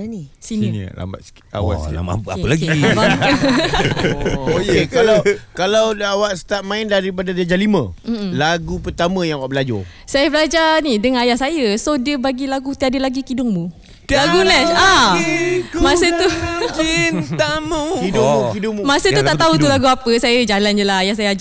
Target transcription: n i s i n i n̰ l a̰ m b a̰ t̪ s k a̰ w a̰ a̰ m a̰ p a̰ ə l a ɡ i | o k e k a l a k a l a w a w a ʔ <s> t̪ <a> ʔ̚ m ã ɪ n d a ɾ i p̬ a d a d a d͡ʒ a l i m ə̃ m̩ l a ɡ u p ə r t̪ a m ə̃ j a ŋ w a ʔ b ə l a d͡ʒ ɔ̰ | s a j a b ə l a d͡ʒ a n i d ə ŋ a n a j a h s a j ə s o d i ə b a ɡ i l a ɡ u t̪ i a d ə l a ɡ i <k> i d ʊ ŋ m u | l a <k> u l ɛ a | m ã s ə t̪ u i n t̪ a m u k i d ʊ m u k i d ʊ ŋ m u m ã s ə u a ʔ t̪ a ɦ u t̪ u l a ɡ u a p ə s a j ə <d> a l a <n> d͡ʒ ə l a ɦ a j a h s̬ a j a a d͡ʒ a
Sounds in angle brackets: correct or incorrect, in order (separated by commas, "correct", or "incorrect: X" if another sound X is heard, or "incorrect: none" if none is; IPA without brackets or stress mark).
correct, correct, correct, incorrect: ɡ, incorrect: d͡ʒ, correct